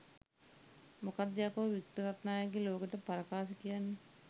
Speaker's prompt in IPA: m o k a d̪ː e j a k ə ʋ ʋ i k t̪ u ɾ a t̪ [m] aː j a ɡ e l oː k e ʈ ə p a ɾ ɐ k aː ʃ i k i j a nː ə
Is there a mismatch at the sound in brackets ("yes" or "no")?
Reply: yes